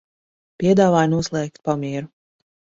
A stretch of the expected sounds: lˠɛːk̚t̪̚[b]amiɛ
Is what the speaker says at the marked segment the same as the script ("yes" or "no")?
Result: no